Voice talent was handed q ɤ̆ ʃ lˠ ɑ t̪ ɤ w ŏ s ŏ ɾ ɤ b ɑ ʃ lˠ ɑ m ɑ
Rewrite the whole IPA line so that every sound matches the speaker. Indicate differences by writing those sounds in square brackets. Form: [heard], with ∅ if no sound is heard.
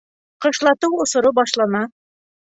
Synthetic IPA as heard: q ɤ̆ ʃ lˠ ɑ t̪ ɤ w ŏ s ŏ ɾ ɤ b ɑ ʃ lˠ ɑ [n] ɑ